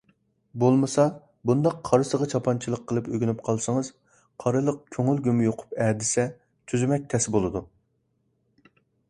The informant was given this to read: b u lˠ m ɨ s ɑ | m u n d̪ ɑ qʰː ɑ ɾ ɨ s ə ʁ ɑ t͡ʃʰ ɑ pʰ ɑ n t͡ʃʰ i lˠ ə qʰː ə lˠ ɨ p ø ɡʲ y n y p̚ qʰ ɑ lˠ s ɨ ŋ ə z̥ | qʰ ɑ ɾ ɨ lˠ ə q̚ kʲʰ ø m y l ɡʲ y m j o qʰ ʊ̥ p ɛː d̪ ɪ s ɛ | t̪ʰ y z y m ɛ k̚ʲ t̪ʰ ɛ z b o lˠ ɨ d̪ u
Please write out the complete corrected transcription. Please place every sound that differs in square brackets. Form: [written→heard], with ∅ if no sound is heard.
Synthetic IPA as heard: b [u→o] lˠ m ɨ s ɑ | [m→b] u n d̪ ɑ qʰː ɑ ɾ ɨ s ə ʁ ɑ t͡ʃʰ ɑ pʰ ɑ n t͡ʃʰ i lˠ ə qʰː ə lˠ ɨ p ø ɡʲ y n y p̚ qʰ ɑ lˠ s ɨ ŋ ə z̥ | qʰ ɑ ɾ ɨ lˠ ə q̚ kʲʰ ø [m→ŋ] y l ɡʲ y m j o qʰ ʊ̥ p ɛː d̪ ɪ s ɛ | t̪ʰ y z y m ɛ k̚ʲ t̪ʰ ɛ [z→s] b o lˠ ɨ d̪ u